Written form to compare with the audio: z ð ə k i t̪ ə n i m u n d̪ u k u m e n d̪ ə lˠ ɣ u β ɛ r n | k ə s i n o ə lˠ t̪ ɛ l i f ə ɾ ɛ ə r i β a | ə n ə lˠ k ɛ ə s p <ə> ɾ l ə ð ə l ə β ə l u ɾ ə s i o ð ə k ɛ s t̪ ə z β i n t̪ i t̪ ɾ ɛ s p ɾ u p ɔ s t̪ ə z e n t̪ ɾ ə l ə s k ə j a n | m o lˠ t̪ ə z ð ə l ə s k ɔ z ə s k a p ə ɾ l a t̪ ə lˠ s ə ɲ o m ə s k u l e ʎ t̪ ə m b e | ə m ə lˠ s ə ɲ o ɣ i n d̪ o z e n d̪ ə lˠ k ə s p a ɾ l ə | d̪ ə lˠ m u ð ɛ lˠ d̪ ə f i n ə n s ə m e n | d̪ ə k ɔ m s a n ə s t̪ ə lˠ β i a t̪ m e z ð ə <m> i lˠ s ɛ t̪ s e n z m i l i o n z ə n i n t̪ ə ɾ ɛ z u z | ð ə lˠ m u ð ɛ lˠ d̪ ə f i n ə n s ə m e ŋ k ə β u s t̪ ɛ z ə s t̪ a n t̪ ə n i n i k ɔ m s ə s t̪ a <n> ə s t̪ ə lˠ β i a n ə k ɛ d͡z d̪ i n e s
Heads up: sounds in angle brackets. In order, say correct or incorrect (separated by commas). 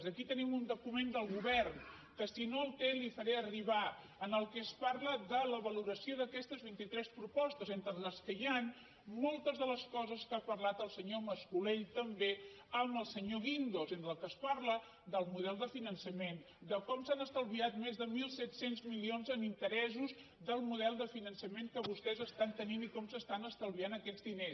incorrect, correct, correct